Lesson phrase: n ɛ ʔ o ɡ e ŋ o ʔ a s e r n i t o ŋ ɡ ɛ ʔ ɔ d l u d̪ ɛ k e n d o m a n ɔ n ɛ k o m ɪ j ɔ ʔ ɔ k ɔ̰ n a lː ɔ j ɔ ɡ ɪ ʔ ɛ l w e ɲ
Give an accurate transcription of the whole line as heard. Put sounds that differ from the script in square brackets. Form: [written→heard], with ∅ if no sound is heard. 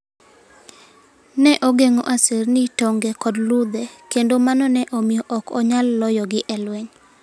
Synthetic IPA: n ɛ ʔ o ɡ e ŋ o ʔ a s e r n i t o ŋ ɡ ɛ [ʔ→k] ɔ d l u d̪ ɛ k e n d o m a n ɔ n ɛ [k→ʔ] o m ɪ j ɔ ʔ ɔ k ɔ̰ [n→ɲ] a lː ɔ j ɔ ɡ ɪ ʔ ɛ l w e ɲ